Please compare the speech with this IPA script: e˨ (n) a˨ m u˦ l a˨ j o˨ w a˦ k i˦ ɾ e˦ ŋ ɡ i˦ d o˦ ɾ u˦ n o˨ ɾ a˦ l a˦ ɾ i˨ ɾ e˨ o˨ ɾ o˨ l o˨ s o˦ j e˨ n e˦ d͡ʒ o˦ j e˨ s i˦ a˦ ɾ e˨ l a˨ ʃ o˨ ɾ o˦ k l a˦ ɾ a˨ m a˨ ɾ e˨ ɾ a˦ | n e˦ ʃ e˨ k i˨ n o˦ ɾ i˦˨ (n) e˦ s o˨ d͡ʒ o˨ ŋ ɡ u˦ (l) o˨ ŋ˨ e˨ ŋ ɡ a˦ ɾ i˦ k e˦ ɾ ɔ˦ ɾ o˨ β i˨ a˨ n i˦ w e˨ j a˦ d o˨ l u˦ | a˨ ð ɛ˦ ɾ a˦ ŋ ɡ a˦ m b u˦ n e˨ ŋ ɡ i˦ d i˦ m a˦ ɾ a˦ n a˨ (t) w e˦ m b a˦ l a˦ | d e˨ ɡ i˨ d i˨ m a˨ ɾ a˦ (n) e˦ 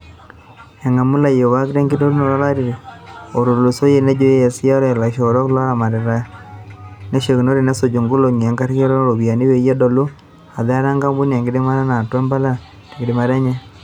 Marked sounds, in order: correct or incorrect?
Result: incorrect: ŋ, correct, correct, correct, incorrect: ɲ

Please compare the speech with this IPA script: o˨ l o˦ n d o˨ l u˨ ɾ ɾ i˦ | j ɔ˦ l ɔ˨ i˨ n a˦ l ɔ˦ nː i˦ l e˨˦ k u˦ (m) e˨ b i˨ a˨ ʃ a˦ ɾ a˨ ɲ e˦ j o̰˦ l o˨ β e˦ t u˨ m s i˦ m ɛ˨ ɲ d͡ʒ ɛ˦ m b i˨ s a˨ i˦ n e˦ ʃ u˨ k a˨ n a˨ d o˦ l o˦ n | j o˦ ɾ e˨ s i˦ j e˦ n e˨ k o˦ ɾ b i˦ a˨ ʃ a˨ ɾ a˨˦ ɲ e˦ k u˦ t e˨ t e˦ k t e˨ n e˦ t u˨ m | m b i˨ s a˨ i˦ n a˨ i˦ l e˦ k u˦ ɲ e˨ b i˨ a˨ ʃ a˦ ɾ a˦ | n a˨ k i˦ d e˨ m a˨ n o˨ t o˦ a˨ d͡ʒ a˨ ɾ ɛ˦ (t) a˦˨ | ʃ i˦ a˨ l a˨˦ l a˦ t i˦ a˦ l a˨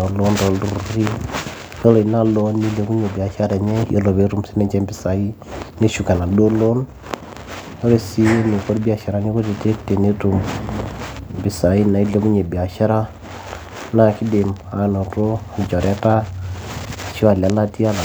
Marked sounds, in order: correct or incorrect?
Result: incorrect: ɲ, correct

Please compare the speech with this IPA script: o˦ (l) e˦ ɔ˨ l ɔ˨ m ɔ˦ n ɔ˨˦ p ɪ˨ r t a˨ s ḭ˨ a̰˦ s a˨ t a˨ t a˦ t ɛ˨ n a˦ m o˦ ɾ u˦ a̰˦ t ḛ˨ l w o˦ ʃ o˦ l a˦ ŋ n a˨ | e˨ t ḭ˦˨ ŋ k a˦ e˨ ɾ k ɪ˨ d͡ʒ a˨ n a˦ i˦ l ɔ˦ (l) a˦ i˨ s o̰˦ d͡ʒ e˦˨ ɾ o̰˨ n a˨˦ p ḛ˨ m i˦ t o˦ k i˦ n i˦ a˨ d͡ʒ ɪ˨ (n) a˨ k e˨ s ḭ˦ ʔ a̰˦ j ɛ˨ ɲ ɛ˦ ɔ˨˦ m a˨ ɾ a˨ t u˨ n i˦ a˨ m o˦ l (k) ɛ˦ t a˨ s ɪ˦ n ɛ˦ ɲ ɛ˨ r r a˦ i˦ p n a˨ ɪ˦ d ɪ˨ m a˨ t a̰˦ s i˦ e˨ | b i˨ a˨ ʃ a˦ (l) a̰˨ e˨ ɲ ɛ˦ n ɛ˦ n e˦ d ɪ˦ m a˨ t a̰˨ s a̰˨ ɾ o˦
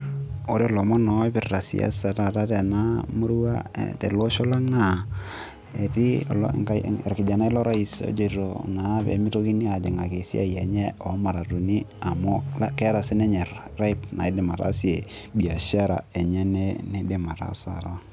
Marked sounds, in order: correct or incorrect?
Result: incorrect: ɾ, incorrect: ɾ, incorrect: ŋ, correct, incorrect: ɾ

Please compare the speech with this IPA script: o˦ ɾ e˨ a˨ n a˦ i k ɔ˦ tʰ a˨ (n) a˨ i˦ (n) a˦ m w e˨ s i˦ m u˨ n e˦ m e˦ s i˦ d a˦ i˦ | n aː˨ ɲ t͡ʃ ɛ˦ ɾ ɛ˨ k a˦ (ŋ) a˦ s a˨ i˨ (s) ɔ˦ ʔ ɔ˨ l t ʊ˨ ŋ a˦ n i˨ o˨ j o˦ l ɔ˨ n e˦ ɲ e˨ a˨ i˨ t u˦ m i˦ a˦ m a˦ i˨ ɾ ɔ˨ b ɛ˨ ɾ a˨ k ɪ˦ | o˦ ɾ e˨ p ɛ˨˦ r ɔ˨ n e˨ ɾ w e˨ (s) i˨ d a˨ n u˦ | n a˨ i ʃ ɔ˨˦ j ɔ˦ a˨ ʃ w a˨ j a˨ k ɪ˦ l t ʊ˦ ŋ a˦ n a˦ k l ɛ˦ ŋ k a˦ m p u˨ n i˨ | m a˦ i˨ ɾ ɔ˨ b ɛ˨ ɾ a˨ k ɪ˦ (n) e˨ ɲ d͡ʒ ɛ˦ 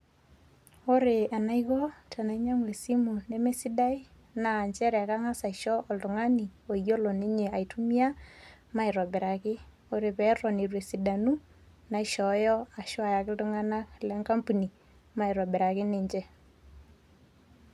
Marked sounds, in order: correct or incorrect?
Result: correct, incorrect: ɲ, correct, incorrect: ʃ, correct, correct

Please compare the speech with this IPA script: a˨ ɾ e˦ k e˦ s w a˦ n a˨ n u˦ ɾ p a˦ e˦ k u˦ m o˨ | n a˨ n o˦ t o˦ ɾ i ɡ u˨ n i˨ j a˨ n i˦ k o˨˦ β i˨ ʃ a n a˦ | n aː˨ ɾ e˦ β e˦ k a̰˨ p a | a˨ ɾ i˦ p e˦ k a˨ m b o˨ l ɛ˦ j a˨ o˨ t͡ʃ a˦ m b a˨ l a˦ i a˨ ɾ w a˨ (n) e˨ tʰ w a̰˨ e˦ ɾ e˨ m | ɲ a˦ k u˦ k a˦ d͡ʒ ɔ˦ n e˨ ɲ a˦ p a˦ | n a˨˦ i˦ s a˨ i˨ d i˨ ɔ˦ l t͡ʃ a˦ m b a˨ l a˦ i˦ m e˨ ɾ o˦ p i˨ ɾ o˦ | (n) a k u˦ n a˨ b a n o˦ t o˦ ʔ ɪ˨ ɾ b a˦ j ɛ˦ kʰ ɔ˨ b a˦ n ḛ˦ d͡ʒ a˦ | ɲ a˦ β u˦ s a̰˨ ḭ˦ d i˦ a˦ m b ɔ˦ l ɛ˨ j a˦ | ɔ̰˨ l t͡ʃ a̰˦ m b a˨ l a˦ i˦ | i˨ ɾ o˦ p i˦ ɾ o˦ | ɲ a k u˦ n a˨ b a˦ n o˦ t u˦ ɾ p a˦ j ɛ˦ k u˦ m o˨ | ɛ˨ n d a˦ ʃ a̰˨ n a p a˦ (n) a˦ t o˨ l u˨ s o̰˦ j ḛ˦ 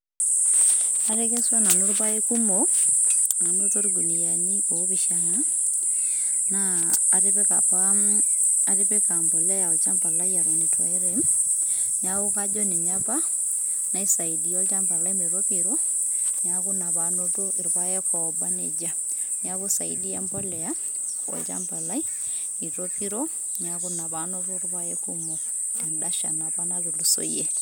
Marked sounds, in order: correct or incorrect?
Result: correct, incorrect: ɲ, correct

